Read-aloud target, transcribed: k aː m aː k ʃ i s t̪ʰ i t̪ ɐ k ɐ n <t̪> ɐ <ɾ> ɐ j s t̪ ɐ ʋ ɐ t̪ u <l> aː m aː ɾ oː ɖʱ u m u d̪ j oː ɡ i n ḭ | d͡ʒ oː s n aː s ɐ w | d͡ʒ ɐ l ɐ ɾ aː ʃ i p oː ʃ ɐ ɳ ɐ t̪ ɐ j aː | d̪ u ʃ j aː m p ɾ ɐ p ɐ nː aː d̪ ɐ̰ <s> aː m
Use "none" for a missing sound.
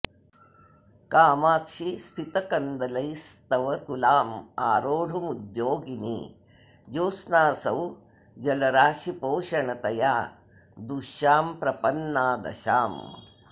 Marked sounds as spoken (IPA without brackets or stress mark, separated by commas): d̪, l, l, ʃ